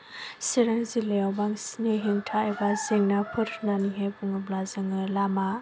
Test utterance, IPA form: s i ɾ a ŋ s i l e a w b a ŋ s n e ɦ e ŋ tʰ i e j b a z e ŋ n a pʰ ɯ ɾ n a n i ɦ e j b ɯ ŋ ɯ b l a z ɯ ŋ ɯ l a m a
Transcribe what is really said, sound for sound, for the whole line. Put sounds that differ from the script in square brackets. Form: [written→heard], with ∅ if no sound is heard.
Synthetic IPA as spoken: s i ɾ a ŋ [s→z] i l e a w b a ŋ s n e ɦ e ŋ tʰ [i→a] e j b a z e ŋ n a pʰ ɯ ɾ n a n i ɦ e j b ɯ ŋ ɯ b l a z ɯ ŋ ɯ l a m a